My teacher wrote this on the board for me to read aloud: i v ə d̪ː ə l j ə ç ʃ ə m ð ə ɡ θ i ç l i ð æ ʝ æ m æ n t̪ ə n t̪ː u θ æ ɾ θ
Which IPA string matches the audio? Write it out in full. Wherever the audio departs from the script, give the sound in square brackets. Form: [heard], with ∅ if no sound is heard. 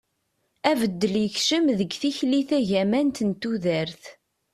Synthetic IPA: [æ] v ə d̪ː ə l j ə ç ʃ ə m ð ə ɡ θ i ç l i [θ] æ ʝ æ m æ n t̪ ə n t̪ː u [ð] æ ɾ θ